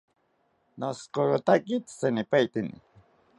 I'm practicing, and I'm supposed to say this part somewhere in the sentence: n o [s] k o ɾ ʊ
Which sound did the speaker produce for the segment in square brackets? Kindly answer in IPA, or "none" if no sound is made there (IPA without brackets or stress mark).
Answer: s